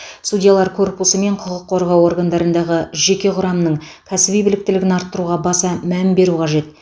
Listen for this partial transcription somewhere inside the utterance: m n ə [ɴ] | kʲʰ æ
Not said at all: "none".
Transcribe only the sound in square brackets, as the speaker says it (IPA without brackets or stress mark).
ɴ